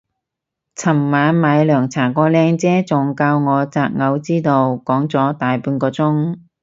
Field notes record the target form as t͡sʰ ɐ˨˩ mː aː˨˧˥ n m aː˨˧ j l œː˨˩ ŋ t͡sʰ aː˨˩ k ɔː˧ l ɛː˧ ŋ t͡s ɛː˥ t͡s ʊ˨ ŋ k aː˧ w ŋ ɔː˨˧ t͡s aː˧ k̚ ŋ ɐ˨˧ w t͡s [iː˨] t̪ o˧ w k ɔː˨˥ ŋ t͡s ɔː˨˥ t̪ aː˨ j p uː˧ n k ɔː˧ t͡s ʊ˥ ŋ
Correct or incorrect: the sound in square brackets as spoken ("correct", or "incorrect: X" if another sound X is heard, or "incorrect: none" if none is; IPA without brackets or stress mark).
incorrect: iː˥